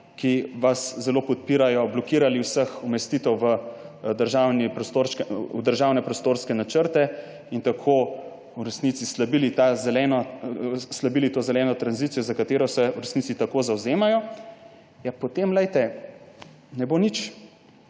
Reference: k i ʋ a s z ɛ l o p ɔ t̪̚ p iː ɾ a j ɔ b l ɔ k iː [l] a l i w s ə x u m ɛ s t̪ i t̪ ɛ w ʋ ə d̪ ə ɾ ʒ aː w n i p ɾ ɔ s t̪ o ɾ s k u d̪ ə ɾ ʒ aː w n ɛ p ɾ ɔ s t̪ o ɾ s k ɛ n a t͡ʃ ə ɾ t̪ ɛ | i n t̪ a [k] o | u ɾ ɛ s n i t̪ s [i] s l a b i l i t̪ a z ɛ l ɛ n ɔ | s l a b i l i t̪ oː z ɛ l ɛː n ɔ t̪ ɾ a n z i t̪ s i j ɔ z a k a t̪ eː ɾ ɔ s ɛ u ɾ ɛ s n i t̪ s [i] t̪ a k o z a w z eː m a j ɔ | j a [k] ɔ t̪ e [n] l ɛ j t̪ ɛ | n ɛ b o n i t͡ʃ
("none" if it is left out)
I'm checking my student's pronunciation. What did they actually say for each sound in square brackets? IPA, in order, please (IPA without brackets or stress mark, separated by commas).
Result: ɾ, kʰ, i, i, p, m